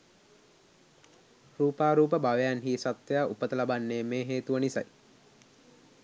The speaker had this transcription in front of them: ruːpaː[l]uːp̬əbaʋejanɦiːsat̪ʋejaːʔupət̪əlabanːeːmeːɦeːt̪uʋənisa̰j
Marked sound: incorrect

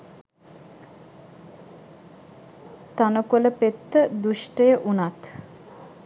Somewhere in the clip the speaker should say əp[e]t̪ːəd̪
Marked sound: correct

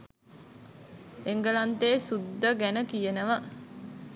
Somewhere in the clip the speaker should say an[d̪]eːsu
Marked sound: incorrect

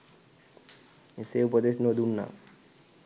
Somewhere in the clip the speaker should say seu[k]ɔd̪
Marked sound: incorrect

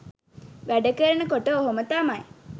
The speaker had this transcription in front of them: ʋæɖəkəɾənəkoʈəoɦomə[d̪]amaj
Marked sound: incorrect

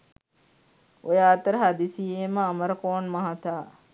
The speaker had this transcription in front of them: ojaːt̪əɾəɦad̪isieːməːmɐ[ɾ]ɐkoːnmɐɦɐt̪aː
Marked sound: correct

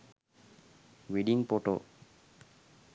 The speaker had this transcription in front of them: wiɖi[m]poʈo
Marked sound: incorrect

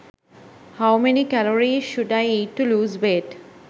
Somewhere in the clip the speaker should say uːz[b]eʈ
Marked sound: correct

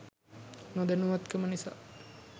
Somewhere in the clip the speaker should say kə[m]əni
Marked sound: correct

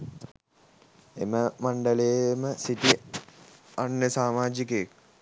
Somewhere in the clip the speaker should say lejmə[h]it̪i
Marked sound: incorrect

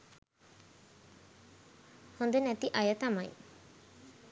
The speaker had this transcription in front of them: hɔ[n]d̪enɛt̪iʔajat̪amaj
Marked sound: correct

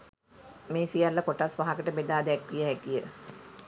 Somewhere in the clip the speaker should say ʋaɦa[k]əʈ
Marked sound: correct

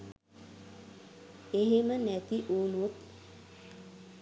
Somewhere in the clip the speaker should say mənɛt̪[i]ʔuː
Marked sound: correct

